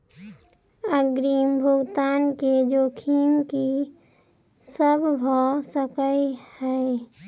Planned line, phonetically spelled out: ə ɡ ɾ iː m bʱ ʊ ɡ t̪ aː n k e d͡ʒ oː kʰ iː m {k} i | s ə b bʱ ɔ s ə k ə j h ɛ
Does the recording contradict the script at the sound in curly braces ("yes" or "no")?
no